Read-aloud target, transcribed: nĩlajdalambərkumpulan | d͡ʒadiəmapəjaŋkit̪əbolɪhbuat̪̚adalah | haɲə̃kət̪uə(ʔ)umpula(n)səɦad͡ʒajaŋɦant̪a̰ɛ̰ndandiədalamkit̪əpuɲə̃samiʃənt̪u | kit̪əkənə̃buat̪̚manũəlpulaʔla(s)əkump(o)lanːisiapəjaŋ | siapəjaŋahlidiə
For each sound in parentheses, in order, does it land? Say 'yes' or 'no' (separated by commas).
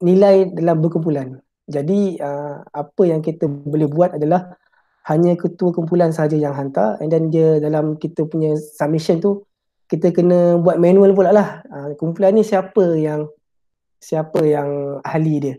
no, yes, no, no